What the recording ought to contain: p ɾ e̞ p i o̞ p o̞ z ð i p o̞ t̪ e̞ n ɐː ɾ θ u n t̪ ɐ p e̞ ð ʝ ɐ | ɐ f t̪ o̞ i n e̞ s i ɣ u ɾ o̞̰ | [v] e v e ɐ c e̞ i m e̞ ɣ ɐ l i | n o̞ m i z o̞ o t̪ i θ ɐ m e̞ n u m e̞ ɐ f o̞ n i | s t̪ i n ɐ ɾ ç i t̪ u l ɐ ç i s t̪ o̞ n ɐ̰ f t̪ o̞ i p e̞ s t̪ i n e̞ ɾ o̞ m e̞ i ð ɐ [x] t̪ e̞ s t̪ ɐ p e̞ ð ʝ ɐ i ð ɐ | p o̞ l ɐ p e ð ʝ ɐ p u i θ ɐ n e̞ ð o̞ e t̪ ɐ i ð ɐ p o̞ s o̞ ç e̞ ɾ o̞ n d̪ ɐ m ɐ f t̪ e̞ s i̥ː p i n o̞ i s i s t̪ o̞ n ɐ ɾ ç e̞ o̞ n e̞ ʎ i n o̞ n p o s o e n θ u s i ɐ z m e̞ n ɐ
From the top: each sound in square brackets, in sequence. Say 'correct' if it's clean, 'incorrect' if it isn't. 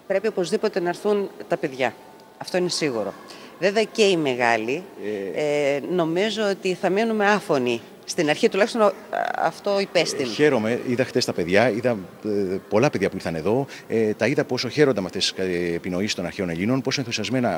correct, correct

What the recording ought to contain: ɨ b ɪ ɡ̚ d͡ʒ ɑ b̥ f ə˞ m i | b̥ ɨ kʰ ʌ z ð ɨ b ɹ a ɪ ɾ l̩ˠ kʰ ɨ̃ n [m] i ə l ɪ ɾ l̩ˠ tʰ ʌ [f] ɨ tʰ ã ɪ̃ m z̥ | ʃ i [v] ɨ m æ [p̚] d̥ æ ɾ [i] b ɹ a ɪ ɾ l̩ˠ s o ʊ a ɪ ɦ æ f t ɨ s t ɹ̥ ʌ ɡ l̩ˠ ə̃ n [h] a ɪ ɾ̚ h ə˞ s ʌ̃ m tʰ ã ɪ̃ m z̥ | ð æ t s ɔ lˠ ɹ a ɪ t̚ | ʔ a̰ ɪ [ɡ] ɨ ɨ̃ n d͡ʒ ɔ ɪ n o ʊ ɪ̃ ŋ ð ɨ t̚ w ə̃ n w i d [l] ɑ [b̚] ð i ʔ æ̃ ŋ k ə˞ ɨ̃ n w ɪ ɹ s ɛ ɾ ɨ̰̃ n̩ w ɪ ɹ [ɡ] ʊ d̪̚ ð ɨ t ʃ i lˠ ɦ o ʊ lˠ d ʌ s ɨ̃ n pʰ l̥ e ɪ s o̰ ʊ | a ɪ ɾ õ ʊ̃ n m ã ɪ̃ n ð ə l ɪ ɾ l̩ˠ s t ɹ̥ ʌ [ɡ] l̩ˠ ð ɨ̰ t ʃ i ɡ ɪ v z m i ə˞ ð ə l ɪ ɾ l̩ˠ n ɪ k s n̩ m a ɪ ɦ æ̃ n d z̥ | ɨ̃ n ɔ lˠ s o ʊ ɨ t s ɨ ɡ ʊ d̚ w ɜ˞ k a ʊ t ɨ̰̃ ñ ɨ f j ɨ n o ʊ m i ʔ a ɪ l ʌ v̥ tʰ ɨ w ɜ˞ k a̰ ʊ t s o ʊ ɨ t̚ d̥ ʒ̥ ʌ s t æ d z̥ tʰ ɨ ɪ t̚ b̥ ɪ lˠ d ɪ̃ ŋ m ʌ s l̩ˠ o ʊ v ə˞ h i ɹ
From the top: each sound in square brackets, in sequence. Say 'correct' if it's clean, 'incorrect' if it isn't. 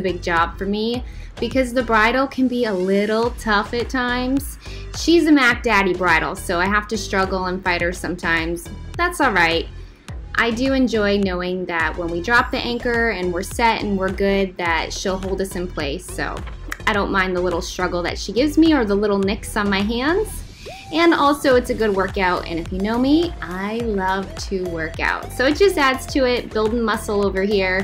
incorrect: b, correct, incorrect: z, incorrect: k̚, correct, incorrect: f, incorrect: d, incorrect: ɹ, incorrect: p̚, correct, correct

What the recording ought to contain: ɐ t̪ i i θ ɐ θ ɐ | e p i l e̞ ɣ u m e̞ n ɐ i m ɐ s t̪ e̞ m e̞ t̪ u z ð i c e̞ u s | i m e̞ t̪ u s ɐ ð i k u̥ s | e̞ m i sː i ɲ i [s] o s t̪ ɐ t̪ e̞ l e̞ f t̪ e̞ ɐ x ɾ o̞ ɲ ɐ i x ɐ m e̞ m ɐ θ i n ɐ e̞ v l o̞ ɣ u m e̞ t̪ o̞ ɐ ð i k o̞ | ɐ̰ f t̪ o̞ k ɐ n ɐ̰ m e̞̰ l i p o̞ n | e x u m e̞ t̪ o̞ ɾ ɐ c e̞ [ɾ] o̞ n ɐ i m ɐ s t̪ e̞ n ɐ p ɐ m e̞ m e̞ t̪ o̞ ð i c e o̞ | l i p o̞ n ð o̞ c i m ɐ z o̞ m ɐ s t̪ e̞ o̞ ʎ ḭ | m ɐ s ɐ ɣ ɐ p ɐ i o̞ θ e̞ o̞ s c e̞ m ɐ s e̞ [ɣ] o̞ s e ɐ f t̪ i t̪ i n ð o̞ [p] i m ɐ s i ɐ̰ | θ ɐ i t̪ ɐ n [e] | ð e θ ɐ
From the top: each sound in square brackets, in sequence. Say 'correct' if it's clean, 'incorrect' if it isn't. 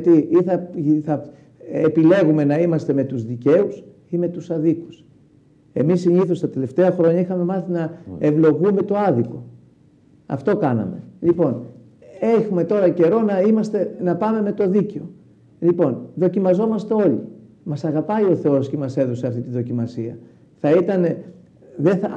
incorrect: θ, correct, incorrect: ð, incorrect: c, correct

